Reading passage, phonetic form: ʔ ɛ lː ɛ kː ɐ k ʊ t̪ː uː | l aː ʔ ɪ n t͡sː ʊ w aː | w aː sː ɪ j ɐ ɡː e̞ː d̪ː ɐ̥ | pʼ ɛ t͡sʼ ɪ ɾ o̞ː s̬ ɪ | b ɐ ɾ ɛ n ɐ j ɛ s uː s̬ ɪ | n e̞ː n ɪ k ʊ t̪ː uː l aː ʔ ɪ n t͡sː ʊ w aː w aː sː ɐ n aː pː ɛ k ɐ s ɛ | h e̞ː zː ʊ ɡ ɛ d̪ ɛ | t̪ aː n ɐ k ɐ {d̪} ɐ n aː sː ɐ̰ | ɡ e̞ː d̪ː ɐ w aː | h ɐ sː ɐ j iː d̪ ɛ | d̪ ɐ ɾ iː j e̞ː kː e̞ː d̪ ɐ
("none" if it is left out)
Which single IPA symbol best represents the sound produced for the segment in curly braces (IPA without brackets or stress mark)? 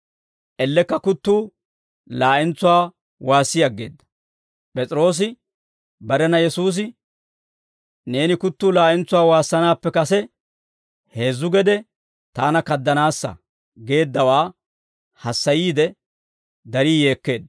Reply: d̪ː